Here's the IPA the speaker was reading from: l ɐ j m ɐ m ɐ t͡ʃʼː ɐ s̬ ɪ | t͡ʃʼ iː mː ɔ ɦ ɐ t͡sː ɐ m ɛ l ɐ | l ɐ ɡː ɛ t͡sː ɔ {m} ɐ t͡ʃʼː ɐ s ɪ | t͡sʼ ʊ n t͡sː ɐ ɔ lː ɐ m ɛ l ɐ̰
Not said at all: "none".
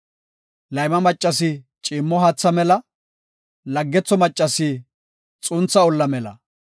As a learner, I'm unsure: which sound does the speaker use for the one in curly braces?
m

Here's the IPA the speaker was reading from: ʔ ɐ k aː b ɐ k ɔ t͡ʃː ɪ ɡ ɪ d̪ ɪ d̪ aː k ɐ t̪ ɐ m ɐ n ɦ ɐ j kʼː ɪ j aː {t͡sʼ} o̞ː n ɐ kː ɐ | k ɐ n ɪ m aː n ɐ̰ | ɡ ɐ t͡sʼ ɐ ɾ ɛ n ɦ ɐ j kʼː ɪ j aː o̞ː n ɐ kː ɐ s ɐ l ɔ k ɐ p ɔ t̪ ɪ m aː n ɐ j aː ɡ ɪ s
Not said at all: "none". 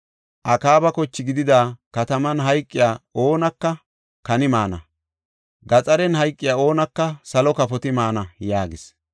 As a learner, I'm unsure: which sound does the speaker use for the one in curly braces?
none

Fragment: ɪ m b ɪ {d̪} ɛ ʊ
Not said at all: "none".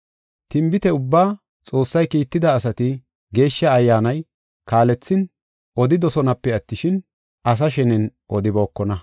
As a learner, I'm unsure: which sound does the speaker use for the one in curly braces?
t̪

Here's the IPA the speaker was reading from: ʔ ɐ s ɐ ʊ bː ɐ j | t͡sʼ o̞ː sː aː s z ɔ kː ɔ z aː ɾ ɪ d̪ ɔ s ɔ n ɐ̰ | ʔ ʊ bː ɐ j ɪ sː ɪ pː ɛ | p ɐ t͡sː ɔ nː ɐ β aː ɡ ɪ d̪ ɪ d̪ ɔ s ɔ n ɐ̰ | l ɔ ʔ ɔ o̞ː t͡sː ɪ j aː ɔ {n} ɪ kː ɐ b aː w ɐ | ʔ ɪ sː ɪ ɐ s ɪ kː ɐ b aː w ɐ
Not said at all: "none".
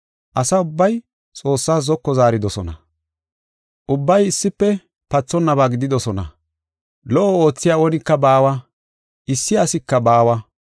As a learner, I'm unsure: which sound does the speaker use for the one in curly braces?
n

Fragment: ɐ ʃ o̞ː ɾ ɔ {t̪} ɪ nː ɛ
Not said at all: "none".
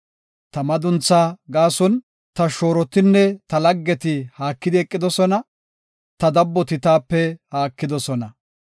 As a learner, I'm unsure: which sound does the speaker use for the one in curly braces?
t̪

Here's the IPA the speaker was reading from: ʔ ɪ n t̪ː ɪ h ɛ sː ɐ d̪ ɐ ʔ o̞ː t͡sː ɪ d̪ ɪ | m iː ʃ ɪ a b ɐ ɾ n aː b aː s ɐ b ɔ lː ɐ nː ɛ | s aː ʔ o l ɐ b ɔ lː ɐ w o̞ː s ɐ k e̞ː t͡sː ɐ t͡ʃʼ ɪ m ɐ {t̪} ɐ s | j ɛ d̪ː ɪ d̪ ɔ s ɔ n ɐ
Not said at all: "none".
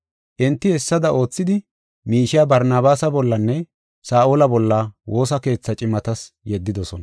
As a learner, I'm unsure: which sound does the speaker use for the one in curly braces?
t̪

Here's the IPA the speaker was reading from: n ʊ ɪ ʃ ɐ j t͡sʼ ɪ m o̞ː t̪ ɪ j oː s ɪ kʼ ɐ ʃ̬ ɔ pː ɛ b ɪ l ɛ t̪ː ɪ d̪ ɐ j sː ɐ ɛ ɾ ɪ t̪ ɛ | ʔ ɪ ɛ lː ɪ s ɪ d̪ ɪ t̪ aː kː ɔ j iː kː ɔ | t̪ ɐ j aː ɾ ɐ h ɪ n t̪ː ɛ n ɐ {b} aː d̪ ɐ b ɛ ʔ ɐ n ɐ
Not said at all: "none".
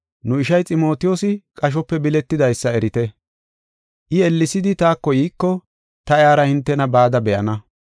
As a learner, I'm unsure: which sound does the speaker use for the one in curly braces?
b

